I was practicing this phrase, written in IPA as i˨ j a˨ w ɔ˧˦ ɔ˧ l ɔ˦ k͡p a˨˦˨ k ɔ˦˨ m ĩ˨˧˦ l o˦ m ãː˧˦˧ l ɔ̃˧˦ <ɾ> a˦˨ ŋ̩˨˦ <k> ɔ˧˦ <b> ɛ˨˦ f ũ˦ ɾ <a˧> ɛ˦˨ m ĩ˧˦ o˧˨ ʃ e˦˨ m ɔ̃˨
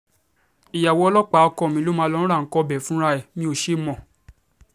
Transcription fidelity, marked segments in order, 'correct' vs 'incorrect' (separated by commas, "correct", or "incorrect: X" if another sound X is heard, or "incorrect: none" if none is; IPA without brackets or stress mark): correct, correct, correct, correct